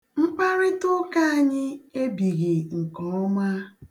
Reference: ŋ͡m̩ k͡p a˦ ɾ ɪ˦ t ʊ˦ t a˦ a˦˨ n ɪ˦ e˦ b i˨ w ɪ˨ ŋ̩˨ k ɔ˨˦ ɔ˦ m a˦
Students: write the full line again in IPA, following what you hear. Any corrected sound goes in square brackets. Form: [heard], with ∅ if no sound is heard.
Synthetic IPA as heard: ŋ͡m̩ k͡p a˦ ɾ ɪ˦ t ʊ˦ [k] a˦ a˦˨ [ɲ] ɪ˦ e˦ b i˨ [ɣ] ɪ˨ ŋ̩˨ k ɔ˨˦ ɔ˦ m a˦